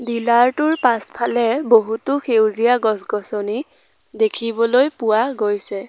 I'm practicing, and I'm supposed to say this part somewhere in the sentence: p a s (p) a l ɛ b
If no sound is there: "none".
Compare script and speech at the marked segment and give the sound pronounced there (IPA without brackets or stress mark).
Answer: pʰ